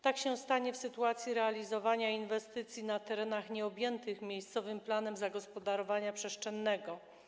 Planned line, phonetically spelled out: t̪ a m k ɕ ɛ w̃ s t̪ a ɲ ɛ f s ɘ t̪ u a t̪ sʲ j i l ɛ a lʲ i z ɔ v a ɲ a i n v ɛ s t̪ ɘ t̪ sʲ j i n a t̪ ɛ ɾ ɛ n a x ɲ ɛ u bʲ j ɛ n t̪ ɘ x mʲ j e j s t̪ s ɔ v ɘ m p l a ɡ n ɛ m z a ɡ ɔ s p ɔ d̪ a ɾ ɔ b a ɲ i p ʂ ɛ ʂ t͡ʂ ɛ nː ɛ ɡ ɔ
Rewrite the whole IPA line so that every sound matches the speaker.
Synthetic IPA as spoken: t̪ a k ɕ ɛ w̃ s t̪ a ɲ ɛ f s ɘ t̪ u a t̪ sʲ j i ɾ ɛ a lʲ i z ɔ v a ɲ a i n v ɛ s t̪ ɘ t̪ sʲ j i n a t̪ ɛ ɾ ɛ n a x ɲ ɛ ɔ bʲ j ɛ n t̪ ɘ x mʲ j e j s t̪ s ɔ v ɘ m p l a n ɛ m z a ɡ ɔ s p ɔ d̪ a ɾ ɔ v a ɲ a p ʂ ɛ ʂ t͡ʂ ɛ nː ɛ ɡ ɔ